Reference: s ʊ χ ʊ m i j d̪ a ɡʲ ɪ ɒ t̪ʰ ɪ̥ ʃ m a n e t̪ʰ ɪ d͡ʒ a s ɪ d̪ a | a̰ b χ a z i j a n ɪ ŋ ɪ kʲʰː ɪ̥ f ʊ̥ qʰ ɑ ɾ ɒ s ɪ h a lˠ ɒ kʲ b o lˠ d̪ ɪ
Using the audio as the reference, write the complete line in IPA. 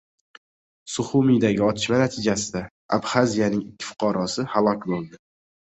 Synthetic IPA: s ʊ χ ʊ m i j d̪ a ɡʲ ɪ ɒ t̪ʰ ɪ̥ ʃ m a n a t̪ʰ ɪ d͡ʒ a s ɪ d̪ a | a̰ b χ a z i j a n ɪ ŋ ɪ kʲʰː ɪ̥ f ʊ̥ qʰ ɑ ɾ ɒ s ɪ h a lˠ ɒ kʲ b o lˠ d̪ ɪ